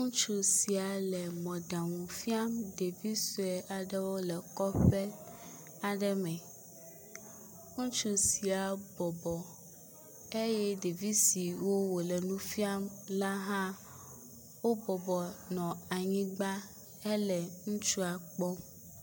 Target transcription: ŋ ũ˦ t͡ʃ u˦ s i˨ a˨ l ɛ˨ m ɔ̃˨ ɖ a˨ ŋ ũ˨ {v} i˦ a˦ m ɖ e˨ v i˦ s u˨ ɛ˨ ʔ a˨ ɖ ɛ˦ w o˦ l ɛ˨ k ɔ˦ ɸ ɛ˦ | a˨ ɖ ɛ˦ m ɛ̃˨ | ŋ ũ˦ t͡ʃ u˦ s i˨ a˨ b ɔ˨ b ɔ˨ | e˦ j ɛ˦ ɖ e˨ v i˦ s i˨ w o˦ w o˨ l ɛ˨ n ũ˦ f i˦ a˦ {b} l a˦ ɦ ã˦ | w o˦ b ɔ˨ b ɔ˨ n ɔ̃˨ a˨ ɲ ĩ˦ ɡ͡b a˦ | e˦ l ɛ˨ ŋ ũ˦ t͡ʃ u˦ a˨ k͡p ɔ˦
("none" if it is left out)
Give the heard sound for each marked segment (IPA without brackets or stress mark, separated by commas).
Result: f, m